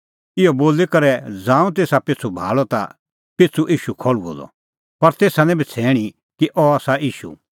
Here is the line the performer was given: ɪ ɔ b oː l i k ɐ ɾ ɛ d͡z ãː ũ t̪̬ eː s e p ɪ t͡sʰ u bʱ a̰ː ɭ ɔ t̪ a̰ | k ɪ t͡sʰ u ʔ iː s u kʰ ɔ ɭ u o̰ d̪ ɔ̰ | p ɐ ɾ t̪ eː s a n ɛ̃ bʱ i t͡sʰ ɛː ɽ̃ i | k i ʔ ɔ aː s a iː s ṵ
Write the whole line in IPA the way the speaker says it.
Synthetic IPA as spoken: ɪ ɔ b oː l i k ɐ ɾ ɛ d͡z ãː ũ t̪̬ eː s a p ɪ t͡sʰ u bʱ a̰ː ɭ ɔ t̪ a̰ | p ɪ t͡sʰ u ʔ iː ʃ u kʰ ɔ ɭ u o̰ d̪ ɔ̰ | p ɐ ɾ t̪ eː s a n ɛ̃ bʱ i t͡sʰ ɛː ɽ̃ i | k i ʔ ɔ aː s a iː ʃ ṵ